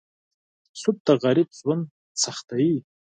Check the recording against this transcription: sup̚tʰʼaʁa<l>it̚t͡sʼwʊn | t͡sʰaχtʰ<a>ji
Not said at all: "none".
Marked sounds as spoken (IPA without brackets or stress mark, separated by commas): ɾ, a